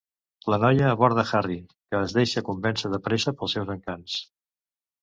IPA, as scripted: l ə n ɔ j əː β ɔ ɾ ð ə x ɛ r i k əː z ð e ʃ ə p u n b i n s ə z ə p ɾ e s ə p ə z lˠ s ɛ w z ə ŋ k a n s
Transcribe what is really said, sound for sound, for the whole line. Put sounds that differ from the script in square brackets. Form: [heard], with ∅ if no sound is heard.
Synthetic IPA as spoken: l ə n ɔ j əː β ɔ ɾ ð ə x [a] r i k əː z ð e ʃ ə [k] u [m] b [ɛ] n s ə [ð] ə p ɾ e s ə p ə [∅] lˠ s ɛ w z ə ŋ k a n s